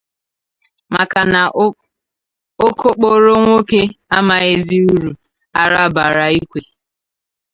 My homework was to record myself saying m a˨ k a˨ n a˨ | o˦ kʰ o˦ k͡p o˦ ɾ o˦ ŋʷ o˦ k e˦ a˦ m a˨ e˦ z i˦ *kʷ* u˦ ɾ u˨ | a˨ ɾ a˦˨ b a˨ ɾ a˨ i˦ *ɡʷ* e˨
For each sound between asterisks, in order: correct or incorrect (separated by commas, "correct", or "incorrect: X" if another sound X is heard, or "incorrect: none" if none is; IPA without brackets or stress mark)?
incorrect: none, incorrect: kʷ